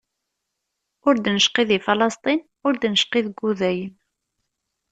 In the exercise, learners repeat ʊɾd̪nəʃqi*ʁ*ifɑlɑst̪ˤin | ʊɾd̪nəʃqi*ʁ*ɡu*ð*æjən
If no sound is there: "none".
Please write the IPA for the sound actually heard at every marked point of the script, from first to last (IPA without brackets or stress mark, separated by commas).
ð, ð, ð